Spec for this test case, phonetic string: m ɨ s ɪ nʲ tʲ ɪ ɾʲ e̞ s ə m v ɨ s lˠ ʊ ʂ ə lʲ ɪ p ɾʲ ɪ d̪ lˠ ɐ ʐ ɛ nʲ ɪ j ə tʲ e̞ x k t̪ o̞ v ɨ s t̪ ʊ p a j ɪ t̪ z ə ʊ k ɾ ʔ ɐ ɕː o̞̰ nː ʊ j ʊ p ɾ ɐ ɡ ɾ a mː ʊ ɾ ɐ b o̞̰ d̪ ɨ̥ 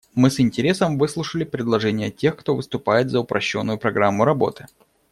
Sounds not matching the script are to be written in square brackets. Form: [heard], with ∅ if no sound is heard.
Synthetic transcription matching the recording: m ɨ s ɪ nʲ tʲ ɪ ɾʲ e̞ s ə m v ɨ s lˠ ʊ ʂ ə lʲ ɪ p ɾʲ ɪ d̪ lˠ ɐ ʐ ɛ nʲ ɪ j ə tʲ e̞ x k t̪ o̞ v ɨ s t̪ ʊ p a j ɪ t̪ z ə ʊ [p] ɾ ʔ ɐ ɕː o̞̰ nː ʊ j ʊ p ɾ ɐ ɡ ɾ a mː ʊ ɾ ɐ b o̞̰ [t̪] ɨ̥